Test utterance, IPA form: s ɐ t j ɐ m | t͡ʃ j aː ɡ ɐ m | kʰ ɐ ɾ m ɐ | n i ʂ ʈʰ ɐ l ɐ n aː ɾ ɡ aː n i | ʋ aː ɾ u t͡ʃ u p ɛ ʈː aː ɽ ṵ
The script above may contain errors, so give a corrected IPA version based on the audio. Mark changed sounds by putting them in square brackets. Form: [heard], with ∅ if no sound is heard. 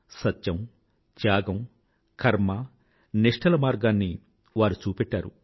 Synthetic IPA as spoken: s ɐ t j ɐ m | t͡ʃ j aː ɡ ɐ m | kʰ ɐ ɾ m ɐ | n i ʂ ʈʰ ɐ l ɐ [m] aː ɾ ɡ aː [nː] i | ʋ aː ɾ u t͡ʃ [uː] p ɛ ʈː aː [ɾ] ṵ